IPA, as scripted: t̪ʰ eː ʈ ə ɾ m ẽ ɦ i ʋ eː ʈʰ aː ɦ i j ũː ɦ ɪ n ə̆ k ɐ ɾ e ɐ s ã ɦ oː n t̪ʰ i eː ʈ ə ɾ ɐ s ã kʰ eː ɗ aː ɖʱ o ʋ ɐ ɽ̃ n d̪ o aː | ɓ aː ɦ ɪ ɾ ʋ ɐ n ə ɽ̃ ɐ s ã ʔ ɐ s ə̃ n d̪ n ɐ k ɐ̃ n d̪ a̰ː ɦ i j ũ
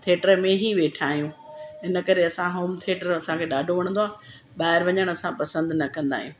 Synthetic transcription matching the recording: t̪ʰ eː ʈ ə ɾ m ẽ ɦ i ʋ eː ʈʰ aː ɦ i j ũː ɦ ɪ n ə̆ k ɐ ɾ e ɐ s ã ɦ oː m t̪ʰ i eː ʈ ə ɾ ɐ s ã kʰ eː ɗ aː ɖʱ o ʋ ɐ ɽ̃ n d̪ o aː | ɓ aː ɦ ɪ ɾ ʋ ɐ ɲ ə ɽ̃ ɐ s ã p ɐ s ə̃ n d̪ n ɐ k ɐ̃ n d̪ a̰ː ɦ i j ũ